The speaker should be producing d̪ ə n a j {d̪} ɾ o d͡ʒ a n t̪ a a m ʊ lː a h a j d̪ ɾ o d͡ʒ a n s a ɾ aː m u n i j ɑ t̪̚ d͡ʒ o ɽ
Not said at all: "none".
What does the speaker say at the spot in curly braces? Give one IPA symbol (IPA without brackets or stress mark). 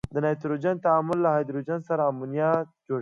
t̪